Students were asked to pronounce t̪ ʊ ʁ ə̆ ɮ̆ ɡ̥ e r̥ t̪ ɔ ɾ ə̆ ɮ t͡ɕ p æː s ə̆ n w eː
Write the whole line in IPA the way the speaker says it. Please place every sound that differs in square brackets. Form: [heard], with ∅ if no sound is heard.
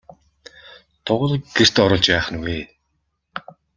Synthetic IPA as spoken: [t̪ʰ] ʊ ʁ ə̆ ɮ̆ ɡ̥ e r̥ t̪ ɔ ɾ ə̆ ɮ t͡ɕ p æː [χ] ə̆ n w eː